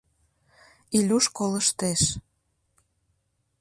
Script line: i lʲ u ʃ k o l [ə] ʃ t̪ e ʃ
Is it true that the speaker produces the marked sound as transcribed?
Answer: yes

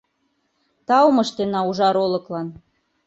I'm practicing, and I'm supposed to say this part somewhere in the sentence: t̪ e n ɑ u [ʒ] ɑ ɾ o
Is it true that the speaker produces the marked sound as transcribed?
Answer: yes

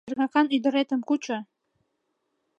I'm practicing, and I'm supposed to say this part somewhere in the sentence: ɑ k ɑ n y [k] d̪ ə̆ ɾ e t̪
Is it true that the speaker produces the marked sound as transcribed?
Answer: no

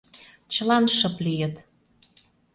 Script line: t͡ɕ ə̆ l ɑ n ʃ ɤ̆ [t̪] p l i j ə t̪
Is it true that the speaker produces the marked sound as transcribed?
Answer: no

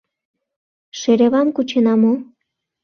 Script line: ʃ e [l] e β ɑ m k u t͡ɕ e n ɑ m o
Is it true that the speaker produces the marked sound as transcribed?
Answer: no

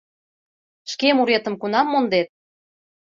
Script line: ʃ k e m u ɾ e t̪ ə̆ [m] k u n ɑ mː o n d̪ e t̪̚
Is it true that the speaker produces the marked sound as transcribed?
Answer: yes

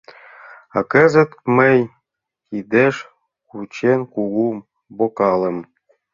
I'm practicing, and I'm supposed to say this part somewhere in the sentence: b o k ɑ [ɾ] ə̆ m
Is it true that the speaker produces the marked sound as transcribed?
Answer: no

